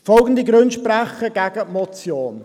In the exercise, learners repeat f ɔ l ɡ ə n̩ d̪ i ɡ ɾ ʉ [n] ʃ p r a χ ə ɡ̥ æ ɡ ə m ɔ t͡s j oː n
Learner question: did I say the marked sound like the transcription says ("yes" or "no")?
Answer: yes